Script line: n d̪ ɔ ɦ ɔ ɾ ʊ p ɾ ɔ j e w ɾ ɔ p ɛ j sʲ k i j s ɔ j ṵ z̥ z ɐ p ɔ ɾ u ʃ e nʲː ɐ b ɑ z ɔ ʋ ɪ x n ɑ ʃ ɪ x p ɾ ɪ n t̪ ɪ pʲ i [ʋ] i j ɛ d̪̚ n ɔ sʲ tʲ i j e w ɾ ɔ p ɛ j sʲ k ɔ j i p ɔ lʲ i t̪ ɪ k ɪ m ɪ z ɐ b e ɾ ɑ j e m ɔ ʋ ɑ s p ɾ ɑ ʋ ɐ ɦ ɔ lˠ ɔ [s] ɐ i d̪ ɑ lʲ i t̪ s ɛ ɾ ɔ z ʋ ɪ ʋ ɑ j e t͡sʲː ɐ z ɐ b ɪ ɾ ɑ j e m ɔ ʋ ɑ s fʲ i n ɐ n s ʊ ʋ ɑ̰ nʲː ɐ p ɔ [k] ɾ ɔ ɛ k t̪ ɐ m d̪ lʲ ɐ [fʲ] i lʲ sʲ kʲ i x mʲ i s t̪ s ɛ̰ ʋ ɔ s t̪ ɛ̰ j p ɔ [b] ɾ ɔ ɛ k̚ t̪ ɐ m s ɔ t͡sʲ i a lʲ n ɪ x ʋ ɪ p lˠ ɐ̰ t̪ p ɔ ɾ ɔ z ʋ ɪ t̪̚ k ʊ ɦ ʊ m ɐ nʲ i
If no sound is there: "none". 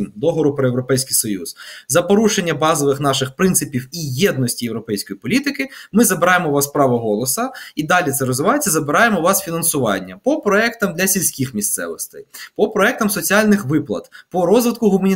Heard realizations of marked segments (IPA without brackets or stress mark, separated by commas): w, s, p, sʲ, p